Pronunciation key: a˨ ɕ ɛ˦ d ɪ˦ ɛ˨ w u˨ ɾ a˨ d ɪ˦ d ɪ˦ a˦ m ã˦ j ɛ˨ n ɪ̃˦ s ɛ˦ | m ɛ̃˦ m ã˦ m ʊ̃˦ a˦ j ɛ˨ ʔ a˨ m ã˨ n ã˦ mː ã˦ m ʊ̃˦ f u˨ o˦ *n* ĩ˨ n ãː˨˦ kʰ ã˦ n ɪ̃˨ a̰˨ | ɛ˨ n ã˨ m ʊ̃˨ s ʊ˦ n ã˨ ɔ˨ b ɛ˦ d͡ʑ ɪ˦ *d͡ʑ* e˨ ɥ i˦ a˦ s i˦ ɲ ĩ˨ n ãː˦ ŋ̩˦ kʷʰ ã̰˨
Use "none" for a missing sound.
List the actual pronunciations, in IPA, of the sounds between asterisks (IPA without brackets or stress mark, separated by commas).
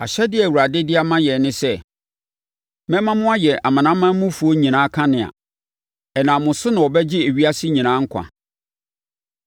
ɲ, none